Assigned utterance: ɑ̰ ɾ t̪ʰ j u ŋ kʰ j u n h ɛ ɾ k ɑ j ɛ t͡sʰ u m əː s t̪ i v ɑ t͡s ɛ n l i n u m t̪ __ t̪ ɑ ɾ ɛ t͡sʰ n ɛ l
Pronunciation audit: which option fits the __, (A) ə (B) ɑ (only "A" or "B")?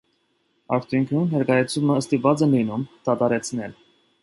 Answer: B